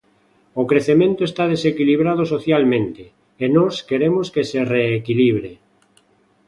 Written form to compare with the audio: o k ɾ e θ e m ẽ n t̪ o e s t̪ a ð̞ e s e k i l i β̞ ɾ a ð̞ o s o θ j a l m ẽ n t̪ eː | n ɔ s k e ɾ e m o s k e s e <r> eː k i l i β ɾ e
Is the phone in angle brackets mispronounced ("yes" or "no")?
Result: no